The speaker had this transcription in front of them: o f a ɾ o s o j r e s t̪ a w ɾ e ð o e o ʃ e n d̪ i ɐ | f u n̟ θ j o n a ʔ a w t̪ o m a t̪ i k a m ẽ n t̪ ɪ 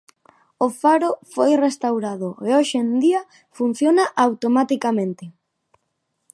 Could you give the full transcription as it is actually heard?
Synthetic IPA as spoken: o f a ɾ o f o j r e s t̪ a w ɾ a ð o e o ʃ e n d̪ i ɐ | f u n̟ θ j o n a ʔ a w t̪ o m a t̪ i k a m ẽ n t̪ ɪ